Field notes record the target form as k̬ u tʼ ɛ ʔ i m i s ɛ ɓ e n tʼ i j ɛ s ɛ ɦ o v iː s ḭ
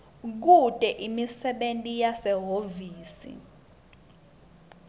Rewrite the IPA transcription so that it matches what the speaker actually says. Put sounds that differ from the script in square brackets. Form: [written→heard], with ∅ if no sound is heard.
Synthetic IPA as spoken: k̬ u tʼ ɛ ʔ i m i s ɛ ɓ e n tʼ i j [ɛ→a] s ɛ ɦ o v iː s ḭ